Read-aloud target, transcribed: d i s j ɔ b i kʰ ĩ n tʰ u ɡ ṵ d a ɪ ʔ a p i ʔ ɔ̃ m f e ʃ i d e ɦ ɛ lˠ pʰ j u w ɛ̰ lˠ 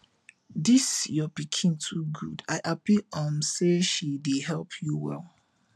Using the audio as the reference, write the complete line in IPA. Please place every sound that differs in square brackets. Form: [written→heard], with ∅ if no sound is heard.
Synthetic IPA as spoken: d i s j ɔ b i kʰ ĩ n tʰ u ɡ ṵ d a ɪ ʔ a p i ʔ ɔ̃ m [f→s] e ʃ i d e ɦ ɛ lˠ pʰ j u w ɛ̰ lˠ